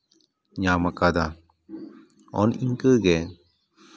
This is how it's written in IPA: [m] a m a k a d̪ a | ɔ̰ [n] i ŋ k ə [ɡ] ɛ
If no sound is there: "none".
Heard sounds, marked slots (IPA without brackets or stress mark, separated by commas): ɲ, n, ɡ